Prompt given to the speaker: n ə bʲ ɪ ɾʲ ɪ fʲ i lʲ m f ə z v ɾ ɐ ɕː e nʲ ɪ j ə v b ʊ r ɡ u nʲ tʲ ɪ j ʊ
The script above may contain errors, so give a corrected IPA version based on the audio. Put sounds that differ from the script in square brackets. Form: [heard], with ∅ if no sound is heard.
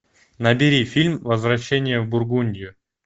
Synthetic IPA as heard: n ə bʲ ɪ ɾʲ [i] fʲ i lʲ m [v] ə z v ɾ ɐ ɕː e nʲ ɪ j ə v b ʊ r ɡ u nʲ [dʲ] ɪ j ʊ

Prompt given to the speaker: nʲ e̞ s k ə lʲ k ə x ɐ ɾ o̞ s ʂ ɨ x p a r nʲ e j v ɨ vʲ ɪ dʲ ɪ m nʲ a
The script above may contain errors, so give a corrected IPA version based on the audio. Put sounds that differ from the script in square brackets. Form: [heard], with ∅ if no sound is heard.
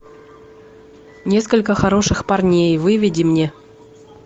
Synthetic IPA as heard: nʲ e̞ s k ə lʲ k ə x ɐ ɾ o̞ [∅] ʂ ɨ x p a r nʲ e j v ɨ vʲ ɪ dʲ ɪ m nʲ [e]

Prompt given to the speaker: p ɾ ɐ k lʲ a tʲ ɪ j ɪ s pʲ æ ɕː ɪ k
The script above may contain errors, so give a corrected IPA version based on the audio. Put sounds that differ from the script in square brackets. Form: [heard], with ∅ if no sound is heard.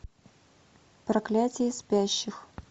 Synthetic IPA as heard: p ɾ ɐ k lʲ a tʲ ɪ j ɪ s pʲ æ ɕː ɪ [x]

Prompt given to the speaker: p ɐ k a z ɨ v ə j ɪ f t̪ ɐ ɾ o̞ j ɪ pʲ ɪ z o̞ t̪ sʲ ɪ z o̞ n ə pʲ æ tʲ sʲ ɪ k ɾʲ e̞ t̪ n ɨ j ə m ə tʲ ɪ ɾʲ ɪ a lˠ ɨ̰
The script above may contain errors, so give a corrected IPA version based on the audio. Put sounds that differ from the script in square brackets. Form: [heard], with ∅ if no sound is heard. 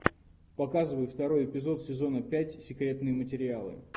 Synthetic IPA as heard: p ɐ k a z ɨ v ə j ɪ f t̪ ɐ ɾ o̞ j ɪ pʲ ɪ z o̞ t̪ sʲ ɪ z o̞ n ə pʲ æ tʲ sʲ ɪ k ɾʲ e̞ t̪ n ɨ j ə m ə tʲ ɪ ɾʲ ɪ a lˠ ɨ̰

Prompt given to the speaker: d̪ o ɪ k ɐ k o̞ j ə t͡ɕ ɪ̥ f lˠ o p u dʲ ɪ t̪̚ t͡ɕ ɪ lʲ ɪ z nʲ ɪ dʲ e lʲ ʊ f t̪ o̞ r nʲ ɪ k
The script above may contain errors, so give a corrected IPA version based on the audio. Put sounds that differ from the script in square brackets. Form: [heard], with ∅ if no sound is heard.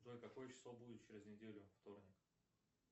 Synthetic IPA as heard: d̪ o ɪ k ɐ k o̞ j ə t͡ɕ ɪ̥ [s] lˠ o [b] u dʲ ɪ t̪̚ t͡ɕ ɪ [ɾʲ] ɪ z nʲ ɪ dʲ e lʲ ʊ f t̪ o̞ r nʲ ɪ k

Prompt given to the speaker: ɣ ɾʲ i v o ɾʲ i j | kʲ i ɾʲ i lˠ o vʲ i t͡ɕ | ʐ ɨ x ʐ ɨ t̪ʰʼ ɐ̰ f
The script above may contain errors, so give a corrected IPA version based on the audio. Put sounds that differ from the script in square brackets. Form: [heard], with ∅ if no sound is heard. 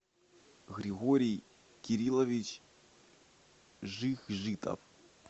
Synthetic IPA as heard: ɣ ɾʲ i [ɣ] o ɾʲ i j | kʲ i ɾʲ i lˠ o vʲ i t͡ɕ | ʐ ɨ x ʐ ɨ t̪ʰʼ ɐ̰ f

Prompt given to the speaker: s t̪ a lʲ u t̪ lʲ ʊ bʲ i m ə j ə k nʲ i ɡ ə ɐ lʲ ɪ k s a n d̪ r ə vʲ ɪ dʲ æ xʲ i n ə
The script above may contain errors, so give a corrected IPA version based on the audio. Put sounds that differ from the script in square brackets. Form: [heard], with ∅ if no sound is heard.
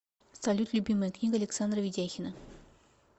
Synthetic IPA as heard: s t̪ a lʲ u t̪ lʲ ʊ bʲ i m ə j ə k nʲ i ɡ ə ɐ lʲ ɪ k s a n d̪ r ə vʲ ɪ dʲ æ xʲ [ɪ] n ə

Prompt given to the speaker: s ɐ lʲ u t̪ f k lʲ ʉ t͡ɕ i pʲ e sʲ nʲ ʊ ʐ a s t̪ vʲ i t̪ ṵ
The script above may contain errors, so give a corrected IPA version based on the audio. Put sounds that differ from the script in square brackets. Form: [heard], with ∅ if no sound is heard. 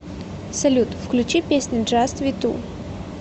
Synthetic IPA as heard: s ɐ lʲ u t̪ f k lʲ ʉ t͡ɕ i pʲ e sʲ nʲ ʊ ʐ a s t̪ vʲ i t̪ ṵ

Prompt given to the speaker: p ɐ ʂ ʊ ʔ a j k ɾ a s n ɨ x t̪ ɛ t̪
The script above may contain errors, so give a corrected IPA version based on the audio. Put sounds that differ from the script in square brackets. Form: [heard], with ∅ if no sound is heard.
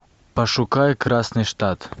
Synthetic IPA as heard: p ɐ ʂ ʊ [k] a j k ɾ a s n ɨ [ʂ] t̪ [a] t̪

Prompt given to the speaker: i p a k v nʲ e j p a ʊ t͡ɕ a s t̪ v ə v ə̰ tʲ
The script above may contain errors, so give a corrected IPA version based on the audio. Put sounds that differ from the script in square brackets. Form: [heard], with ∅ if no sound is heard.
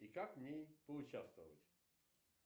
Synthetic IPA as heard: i [k] a k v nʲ e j p [ə] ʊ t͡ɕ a s t̪ v ə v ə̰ tʲ

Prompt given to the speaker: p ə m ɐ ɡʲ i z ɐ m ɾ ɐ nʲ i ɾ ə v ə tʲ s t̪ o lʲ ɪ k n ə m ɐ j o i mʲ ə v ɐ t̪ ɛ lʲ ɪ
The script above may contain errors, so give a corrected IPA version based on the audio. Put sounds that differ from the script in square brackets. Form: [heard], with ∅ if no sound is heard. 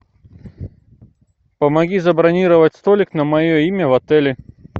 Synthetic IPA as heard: p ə m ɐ ɡʲ i z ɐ [b] ɾ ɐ nʲ i ɾ ə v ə tʲ s t̪ o lʲ ɪ k n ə m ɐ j o i mʲ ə v ɐ t̪ ɛ lʲ ɪ

